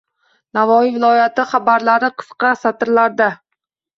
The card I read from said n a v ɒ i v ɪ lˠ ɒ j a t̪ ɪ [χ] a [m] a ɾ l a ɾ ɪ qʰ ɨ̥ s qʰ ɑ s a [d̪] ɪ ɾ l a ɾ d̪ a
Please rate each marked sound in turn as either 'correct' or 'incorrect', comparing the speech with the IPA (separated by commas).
correct, incorrect, incorrect